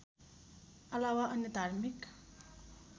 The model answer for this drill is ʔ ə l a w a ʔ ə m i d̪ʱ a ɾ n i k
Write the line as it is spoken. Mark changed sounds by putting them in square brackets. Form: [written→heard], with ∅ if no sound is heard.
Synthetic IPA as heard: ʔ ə l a w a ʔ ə [m→n] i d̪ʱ a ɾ [n→m] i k